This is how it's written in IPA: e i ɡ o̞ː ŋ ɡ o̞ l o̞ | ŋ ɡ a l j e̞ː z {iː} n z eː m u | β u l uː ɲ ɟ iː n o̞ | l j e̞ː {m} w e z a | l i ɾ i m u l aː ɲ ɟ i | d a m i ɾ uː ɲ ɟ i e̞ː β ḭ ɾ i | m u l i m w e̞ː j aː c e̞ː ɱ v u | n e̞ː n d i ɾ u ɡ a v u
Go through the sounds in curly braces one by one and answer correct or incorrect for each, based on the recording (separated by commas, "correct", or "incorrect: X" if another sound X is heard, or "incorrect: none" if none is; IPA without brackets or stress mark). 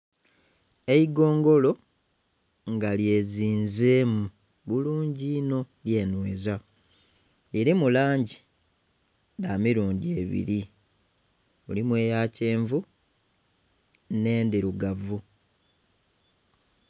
correct, incorrect: n